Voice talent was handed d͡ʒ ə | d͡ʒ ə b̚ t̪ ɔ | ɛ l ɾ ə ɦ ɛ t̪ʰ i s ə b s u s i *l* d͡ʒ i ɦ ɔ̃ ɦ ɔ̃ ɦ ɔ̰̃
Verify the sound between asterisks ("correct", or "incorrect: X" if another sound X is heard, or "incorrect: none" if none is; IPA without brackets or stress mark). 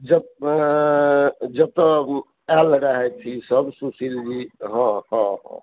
correct